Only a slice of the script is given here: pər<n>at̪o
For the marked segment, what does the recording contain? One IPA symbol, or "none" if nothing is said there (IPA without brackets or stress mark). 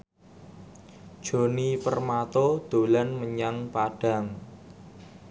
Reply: m